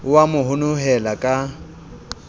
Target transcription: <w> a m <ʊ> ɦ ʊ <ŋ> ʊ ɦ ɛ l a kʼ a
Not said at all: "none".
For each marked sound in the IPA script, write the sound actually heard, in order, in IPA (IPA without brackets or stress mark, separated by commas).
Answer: w, ʊ, n